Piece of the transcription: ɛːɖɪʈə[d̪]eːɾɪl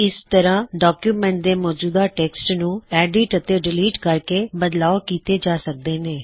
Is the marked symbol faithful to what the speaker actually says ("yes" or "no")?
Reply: no